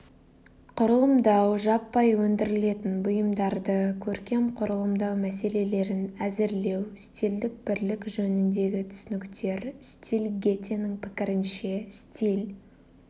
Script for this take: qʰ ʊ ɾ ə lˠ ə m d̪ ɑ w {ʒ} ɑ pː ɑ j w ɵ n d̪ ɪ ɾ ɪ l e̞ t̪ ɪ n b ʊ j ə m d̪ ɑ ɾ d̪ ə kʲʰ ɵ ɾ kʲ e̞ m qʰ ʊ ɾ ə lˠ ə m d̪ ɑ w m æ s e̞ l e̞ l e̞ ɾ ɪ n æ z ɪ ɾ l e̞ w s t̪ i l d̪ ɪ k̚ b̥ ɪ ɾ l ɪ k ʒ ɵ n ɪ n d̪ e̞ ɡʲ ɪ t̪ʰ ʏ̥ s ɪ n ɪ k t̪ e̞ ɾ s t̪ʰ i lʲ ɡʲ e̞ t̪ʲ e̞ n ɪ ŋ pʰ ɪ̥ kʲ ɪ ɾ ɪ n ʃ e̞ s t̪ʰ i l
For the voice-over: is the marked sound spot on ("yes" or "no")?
yes